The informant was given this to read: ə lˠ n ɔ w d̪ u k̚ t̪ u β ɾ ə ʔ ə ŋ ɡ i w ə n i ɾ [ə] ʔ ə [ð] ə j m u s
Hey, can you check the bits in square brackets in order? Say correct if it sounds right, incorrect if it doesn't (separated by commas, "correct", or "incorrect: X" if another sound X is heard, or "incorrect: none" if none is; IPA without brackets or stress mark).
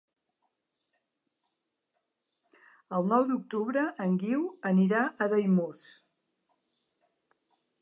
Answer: incorrect: a, correct